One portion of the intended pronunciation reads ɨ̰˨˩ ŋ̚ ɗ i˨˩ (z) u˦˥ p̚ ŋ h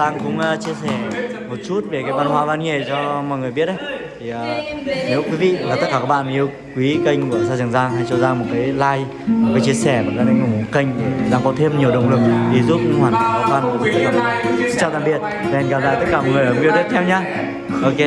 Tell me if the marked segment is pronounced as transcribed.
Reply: yes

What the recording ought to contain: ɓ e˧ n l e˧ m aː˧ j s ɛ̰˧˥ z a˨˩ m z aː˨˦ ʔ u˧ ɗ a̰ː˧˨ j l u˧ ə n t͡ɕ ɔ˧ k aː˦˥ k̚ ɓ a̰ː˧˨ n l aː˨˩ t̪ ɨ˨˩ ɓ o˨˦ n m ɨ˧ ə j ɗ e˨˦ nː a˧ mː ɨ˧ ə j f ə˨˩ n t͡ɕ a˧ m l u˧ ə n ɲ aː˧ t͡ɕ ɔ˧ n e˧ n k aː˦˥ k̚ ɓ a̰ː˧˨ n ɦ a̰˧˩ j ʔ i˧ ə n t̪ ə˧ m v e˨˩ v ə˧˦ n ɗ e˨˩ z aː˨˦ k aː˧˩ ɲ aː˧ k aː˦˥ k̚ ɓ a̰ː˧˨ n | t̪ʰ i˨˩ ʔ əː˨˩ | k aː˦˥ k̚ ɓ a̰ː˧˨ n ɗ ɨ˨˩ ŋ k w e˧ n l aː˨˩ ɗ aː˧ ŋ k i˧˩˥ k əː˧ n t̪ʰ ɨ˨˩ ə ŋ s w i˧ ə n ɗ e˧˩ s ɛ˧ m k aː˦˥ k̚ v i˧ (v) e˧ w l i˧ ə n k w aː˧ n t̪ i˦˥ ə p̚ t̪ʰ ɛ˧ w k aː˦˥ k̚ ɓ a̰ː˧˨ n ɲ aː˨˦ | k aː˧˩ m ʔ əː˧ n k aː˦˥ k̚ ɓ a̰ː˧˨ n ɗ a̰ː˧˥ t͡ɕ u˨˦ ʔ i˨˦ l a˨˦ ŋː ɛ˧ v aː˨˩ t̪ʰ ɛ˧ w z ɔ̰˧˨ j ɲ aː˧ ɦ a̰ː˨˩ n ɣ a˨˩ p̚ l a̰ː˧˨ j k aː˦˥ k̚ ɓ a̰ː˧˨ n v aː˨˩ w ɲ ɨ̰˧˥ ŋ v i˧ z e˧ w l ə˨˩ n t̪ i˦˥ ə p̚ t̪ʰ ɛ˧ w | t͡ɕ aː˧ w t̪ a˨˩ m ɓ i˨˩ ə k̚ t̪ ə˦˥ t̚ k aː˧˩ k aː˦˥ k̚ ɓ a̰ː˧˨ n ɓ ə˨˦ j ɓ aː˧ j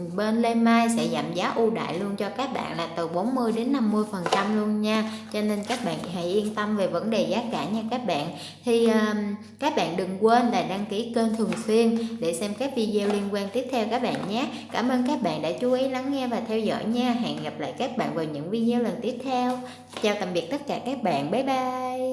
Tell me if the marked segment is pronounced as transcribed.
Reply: no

